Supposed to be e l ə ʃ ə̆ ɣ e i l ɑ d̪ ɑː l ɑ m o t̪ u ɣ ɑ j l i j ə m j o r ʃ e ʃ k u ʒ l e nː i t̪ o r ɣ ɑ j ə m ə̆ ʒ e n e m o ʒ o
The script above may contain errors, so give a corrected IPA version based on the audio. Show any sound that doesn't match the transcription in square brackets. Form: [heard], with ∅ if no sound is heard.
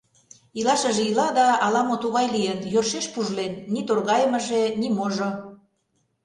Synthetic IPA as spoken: [i] l [ɑ] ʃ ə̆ [ʒ] e i l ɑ d̪ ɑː l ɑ m o t̪ u ɣ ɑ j l i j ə [n] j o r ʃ e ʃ [p] u ʒ l e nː i t̪ o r ɣ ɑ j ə m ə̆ ʒ e n [i] m o ʒ o